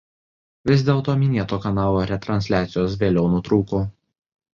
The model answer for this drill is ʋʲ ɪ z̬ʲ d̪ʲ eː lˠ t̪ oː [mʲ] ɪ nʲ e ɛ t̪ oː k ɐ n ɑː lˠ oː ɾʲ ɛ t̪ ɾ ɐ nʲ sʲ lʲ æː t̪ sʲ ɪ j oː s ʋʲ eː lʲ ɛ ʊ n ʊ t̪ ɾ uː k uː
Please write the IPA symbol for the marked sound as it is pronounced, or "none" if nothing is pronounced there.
mʲ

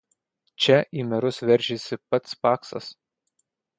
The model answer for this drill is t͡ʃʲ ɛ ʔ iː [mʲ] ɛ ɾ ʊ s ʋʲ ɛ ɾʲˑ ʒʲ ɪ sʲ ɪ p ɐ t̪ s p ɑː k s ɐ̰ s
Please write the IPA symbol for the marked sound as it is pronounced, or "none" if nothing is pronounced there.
mʲ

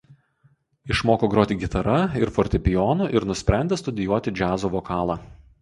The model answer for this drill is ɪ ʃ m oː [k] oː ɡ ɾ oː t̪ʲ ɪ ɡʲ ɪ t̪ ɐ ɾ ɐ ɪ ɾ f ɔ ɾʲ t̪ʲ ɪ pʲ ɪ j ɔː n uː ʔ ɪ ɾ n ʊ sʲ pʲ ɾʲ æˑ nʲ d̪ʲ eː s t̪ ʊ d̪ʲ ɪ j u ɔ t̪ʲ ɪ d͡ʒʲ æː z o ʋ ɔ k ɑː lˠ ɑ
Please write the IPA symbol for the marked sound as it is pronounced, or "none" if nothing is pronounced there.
k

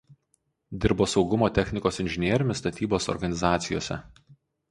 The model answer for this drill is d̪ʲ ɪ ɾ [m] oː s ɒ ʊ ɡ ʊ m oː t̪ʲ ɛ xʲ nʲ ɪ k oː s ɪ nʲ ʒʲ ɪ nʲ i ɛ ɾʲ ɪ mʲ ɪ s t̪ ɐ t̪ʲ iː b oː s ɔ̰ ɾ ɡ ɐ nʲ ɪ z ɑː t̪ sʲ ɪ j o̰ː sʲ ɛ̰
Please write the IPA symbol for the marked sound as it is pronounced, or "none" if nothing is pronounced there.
b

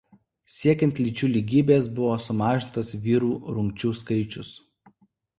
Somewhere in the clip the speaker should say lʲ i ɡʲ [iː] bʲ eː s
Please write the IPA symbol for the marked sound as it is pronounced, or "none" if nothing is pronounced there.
iː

